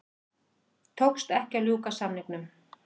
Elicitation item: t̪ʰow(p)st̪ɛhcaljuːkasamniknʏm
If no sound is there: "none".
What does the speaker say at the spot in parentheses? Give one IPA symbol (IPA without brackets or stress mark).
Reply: k